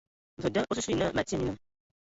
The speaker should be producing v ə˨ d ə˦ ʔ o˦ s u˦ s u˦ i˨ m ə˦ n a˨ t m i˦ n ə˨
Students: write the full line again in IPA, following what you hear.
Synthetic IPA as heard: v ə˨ d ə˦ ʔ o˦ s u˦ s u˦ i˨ n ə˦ m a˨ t m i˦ n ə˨